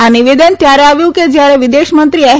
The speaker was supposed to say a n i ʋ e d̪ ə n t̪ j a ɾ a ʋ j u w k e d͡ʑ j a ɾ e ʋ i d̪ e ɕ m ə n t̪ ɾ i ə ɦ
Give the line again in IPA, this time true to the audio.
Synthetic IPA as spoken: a n i ʋ e d̪ ə n t̪ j a ɾ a ʋ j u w k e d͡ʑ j a ɾ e ʋ i d̪ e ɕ m ə n t̪ ɾ i a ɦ